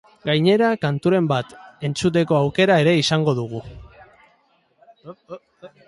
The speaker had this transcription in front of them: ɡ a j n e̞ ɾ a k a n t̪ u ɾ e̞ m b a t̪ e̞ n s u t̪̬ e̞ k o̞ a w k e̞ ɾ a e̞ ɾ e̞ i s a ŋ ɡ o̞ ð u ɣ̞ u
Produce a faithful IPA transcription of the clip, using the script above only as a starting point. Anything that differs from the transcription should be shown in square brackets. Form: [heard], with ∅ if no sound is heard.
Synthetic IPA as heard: ɡ a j [ɲ] e̞ ɾ a k a n t̪ u ɾ e̞ m b a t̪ e̞ n [t͡s] u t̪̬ e̞ k o̞ a w k e̞ ɾ a e̞ ɾ e̞ i s a ŋ ɡ o̞ ð u ɣ̞ u